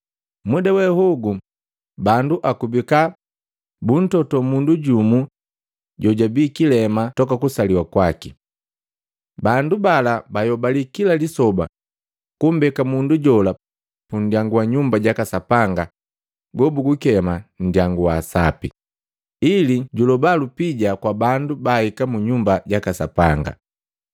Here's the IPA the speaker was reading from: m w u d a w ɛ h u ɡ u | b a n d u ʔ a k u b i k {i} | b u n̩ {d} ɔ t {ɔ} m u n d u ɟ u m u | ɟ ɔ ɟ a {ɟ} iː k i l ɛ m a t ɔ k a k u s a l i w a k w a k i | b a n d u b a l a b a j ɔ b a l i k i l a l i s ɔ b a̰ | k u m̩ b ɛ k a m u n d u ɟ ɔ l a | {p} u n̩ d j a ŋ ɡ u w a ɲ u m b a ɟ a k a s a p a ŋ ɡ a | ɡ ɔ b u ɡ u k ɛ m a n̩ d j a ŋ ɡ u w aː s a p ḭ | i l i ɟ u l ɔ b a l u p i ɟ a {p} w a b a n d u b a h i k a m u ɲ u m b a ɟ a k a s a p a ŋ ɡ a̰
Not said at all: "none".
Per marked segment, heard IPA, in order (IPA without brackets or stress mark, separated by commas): a, t, ɔ, b, p, k